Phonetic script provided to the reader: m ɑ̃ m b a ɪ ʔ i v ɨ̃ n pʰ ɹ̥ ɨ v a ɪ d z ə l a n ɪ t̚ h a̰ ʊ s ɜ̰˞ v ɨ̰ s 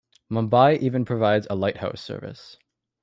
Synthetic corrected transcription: m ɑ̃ m b a ɪ ʔ i v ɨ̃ n pʰ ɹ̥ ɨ v a ɪ d z ə l a ɪ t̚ h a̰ ʊ s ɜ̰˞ v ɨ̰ s